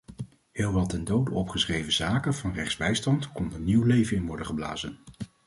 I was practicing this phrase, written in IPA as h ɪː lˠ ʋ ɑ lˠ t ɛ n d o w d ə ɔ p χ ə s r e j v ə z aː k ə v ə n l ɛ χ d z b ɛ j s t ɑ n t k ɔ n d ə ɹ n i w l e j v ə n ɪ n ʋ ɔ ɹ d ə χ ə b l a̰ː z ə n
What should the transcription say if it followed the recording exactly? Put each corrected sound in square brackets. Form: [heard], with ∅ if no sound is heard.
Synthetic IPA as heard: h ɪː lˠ ʋ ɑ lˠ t ɛ n d o w d ə ɔ p χ ə s r e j v ə z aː k ə v [ɑ] n [r] ɛ χ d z b ɛ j s t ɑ n t k ɔ n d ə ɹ n i w l e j v ə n ɪ n ʋ ɔ ɹ d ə χ ə b l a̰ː z ə n